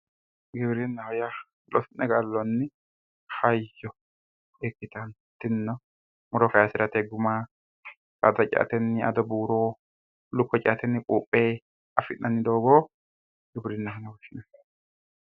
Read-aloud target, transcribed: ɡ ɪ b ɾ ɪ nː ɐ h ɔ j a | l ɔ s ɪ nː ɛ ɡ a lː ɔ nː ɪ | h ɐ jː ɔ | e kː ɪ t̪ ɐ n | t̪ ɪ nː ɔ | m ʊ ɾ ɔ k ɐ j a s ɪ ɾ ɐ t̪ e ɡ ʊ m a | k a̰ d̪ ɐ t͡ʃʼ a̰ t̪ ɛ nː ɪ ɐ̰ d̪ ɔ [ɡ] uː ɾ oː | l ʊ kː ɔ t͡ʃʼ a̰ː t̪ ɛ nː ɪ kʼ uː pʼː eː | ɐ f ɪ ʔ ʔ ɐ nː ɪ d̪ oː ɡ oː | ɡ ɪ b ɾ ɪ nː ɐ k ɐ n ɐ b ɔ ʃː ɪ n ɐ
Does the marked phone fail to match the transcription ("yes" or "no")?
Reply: yes